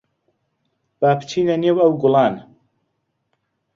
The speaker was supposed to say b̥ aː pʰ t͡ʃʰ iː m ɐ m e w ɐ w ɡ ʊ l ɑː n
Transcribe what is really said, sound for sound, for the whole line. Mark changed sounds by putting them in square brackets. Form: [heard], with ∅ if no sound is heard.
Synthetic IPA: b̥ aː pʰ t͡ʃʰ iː [n] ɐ [n] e w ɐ w ɡ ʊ l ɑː n